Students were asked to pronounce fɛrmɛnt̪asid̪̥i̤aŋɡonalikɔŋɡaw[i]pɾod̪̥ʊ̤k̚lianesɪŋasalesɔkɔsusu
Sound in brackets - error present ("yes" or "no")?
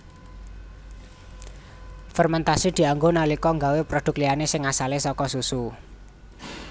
yes